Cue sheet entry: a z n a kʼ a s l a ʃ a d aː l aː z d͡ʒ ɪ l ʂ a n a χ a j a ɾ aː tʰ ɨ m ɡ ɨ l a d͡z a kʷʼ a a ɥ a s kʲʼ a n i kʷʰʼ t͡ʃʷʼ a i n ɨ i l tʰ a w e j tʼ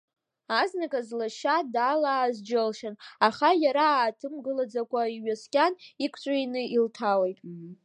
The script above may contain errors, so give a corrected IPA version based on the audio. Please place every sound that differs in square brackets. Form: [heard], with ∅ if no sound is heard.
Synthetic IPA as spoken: a z n a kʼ a [z] l a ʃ a d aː l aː z d͡ʒ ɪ l [ʃ] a n a χ a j a ɾ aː tʰ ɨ m ɡ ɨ l a d͡z a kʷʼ a [i] ɥ a s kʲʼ a n i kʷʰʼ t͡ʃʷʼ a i n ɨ i l tʰ a w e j tʼ